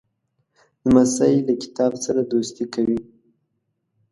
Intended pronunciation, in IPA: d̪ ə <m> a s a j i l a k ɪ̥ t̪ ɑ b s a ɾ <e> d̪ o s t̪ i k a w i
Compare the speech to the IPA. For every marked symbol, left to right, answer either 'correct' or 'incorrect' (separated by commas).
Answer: correct, incorrect